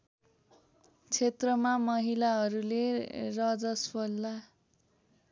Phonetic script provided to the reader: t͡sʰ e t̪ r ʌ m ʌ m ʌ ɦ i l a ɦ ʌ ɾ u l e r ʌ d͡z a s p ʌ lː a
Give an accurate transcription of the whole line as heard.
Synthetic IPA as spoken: t͡sʰ e t̪ r ʌ m a m ʌ ɦ i l a ɦ ʌ ɾ u l e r ʌ d͡z ʌ s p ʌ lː a